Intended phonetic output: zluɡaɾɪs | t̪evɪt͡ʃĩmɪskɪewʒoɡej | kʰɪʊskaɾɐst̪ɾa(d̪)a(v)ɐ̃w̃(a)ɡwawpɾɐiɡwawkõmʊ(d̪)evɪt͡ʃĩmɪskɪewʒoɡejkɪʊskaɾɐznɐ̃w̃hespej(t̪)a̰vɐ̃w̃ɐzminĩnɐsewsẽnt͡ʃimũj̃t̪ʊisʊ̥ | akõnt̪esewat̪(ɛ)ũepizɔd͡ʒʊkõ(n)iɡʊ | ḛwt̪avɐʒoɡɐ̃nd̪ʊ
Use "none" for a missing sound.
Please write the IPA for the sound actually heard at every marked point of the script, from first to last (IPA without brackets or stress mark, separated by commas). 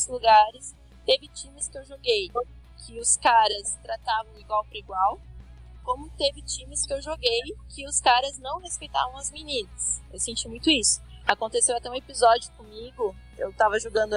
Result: t̪, v, i, t̪, t̪, ɛ, m